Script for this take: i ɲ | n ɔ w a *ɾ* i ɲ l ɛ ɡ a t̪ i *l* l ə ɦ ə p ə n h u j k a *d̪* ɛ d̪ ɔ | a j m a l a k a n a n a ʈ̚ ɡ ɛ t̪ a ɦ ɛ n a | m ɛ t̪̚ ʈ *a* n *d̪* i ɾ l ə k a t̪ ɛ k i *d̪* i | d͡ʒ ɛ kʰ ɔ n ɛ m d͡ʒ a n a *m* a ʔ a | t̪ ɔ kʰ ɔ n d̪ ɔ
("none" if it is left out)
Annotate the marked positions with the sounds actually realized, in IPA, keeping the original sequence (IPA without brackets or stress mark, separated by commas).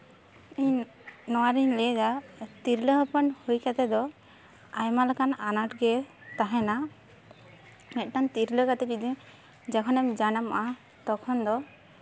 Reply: ɾ, ɾ, t̪, a, t̪, d̪, m